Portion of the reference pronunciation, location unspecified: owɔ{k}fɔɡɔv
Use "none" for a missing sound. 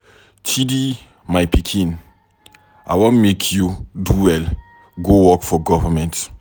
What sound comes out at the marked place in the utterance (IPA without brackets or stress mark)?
k